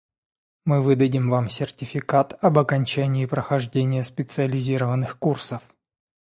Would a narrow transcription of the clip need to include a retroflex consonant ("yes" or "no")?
yes